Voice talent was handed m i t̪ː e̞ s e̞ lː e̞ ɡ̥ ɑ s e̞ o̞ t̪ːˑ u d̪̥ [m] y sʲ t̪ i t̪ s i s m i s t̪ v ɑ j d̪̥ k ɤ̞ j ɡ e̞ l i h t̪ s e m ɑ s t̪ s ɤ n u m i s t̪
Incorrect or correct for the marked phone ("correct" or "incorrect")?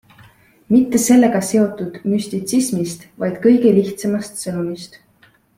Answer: correct